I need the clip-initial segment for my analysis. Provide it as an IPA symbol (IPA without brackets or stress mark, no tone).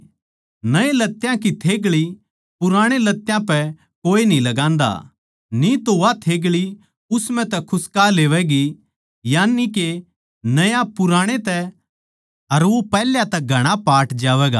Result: n